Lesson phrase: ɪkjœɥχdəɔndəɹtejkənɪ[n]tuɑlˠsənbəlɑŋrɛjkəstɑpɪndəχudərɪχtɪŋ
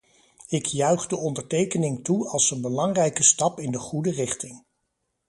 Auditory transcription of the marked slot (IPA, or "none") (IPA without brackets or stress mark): ŋ